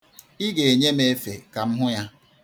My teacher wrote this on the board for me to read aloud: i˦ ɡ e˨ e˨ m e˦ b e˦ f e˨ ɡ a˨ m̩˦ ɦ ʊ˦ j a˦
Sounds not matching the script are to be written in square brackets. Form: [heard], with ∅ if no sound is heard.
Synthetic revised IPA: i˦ ɡ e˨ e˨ [ɲ] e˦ [m] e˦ f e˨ [k] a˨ m̩˦ ɦ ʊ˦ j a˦